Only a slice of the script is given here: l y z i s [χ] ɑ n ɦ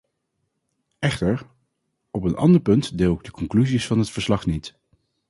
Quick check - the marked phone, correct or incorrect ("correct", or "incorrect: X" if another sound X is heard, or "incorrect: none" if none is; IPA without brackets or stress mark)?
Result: incorrect: f